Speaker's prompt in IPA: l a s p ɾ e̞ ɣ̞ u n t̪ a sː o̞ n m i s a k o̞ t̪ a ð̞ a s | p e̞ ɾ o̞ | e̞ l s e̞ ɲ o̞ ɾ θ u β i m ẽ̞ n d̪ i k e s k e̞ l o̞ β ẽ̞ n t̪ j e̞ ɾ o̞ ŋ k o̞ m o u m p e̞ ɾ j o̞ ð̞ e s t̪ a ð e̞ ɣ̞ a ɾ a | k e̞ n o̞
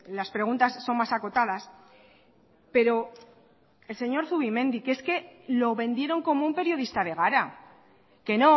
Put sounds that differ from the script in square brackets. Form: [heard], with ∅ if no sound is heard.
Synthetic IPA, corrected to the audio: l a s p ɾ e̞ ɣ̞ u n t̪ a sː o̞ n m [a] s a k o̞ t̪ a ð̞ a s | p e̞ ɾ o̞ | e̞ l s e̞ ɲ o̞ ɾ θ u β i m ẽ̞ n d̪ i k e s k e̞ l o̞ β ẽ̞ n [d̪] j e̞ ɾ o̞ ŋ k o̞ m o u m p e̞ ɾ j o̞ ð̞ [i] s t̪ a ð e̞ ɣ̞ a ɾ a | k e̞ n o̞